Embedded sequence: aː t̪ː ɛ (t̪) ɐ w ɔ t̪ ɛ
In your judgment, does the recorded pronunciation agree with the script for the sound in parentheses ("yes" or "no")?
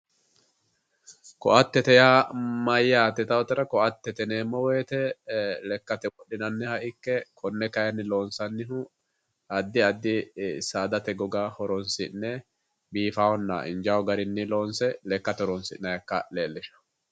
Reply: yes